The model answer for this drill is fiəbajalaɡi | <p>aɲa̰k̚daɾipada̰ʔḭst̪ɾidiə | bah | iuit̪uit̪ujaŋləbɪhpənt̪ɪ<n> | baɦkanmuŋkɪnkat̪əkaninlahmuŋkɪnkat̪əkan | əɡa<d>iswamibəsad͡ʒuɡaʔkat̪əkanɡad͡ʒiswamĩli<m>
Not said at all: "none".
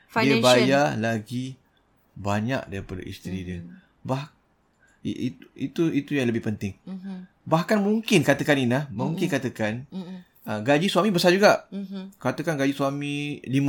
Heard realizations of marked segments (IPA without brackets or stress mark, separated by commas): b, ŋ, d͡ʒ, m